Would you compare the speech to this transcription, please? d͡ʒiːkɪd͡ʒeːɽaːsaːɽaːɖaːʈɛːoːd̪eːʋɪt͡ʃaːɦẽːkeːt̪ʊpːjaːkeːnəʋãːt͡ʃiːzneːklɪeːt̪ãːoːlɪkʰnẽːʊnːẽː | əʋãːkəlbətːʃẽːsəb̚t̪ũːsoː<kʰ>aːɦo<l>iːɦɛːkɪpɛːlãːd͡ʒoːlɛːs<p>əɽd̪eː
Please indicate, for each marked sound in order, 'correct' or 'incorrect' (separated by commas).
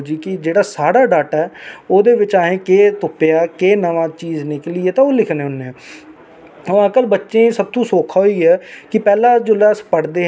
correct, incorrect, correct